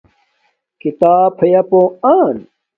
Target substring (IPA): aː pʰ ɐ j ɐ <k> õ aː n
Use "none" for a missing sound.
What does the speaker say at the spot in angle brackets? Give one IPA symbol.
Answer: p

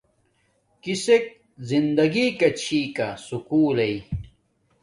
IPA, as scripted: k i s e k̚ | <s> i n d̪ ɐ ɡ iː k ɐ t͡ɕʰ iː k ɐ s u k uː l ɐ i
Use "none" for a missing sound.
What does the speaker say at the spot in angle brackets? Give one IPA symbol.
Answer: z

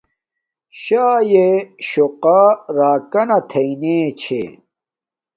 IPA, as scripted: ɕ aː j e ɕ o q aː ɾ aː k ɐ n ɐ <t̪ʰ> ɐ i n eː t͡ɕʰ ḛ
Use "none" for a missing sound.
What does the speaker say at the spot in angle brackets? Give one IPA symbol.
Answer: t̪ʰ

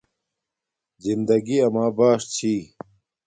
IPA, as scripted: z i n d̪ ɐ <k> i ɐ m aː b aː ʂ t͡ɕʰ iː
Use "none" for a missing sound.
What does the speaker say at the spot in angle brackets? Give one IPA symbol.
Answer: ɡ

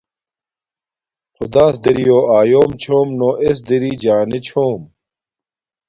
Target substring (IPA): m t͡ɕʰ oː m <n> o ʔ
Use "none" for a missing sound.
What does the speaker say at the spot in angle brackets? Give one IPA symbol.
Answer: n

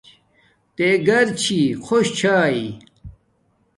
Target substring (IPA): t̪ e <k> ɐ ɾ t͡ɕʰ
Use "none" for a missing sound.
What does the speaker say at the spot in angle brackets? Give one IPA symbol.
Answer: ɡ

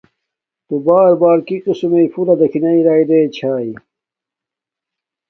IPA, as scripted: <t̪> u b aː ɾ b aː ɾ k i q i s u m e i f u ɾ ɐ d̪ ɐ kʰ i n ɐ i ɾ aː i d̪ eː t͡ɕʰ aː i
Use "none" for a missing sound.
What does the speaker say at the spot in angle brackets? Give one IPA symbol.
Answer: t̪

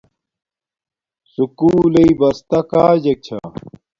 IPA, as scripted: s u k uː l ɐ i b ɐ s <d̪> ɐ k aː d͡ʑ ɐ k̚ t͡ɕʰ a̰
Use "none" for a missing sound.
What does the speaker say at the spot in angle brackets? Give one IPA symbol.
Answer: t̪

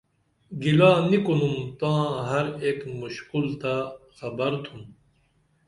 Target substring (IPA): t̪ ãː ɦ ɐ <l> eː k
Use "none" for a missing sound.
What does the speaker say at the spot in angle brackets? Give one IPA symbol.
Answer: ɾ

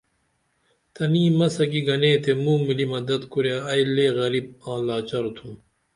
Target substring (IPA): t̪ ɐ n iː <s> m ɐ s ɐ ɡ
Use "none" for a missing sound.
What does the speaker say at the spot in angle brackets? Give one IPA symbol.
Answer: none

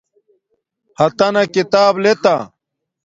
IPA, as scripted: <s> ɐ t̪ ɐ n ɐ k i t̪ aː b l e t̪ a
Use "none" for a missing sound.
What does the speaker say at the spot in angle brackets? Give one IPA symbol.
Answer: h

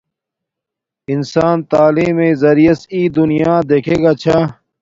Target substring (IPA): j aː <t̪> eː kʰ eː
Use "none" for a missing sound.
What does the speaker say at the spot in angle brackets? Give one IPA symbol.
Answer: d̪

